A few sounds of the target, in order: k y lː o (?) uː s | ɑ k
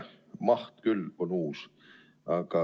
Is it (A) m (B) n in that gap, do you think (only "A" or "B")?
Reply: B